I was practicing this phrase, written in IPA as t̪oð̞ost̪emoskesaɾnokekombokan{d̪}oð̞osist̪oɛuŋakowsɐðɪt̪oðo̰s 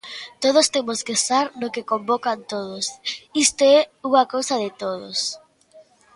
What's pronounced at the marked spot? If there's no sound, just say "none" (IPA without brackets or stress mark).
t̪